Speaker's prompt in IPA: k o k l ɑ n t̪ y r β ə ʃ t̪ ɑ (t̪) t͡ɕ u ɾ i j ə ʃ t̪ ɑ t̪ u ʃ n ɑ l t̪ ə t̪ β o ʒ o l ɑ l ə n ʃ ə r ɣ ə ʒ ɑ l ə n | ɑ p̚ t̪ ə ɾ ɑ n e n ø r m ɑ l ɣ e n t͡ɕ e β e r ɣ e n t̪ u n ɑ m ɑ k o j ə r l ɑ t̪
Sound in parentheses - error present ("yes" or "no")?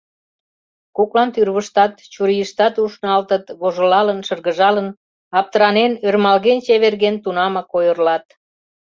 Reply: no